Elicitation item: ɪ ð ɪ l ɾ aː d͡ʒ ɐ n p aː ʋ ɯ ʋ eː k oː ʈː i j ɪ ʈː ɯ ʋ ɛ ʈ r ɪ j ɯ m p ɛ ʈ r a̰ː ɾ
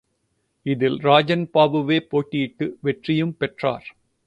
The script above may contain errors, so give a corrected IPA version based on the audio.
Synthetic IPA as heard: ɪ ð ɪ l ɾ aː d͡ʒ ɐ n p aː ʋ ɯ ʋ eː p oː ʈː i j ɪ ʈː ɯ ʋ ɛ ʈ r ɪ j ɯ m p ɛ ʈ r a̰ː ɾ